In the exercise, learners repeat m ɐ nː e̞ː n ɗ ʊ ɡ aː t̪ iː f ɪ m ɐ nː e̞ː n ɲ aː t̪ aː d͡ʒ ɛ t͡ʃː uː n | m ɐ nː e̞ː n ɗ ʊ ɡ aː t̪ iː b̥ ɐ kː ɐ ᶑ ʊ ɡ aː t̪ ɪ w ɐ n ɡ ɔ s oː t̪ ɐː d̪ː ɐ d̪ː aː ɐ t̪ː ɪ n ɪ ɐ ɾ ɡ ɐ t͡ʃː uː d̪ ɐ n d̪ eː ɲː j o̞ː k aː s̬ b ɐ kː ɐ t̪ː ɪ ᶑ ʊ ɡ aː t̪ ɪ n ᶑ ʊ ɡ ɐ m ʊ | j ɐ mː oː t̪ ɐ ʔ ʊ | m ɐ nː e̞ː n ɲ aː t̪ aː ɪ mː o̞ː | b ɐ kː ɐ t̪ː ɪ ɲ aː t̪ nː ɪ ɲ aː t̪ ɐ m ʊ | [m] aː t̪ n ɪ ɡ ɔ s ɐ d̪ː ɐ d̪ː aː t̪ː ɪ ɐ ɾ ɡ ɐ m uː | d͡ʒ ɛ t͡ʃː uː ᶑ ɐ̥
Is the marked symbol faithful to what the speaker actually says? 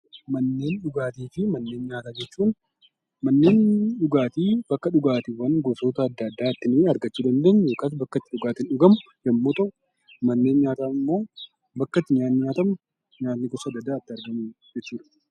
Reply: no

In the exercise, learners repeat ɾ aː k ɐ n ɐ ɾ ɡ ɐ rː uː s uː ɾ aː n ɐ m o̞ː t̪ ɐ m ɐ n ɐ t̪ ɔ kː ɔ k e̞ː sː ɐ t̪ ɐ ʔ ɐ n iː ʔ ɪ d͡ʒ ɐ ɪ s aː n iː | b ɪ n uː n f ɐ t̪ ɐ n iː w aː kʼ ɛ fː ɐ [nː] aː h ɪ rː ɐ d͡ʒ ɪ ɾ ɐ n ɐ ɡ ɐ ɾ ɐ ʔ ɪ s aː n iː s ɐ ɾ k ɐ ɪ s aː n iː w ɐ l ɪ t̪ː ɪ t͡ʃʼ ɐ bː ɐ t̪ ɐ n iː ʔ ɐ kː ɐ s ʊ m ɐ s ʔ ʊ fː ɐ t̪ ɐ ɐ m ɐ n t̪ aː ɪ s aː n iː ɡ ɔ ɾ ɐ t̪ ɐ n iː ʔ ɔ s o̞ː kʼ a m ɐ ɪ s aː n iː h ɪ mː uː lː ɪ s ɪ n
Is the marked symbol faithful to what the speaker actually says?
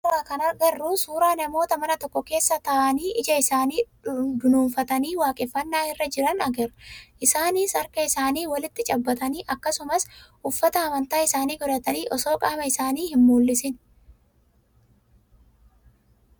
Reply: yes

